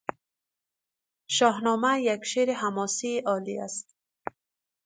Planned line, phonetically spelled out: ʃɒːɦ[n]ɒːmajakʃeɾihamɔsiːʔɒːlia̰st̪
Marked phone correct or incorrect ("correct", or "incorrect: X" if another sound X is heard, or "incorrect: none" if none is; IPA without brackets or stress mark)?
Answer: correct